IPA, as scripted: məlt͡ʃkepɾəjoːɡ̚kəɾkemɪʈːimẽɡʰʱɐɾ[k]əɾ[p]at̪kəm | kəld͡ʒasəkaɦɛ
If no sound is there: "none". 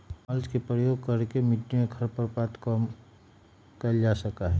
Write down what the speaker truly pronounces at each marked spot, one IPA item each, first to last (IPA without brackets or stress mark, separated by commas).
p, p